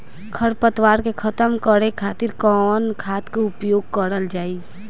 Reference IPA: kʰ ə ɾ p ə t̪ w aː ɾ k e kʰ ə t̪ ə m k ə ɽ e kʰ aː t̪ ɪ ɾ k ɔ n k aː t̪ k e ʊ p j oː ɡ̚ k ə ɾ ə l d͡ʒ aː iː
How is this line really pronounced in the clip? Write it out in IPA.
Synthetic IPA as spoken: kʰ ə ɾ p ə t̪ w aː ɾ k e kʰ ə t̪ ə m k ə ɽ e kʰ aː t̪ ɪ ɾ k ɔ n kʰ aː t̪ k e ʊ p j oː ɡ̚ k ə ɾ ə l d͡ʒ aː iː